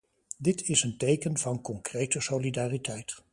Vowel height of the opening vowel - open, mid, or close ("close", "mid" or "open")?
close